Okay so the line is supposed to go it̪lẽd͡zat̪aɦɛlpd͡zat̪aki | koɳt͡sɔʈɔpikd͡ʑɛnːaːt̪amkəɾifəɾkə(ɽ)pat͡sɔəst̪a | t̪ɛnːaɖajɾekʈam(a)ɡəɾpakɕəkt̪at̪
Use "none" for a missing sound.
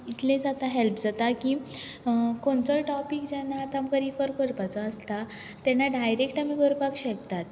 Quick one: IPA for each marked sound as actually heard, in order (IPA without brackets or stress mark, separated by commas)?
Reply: ɾ, i